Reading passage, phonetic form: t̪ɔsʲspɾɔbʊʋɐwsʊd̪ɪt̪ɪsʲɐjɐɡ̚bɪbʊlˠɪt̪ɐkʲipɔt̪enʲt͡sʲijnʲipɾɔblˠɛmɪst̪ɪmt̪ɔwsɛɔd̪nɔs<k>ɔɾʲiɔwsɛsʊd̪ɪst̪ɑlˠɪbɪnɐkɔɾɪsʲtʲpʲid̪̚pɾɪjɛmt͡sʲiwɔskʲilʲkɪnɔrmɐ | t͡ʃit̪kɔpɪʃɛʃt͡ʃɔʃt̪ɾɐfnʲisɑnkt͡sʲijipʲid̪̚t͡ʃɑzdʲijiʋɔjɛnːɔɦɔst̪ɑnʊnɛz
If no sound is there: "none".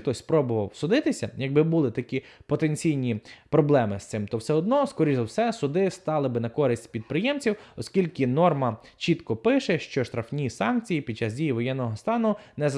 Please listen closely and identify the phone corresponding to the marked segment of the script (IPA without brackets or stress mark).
k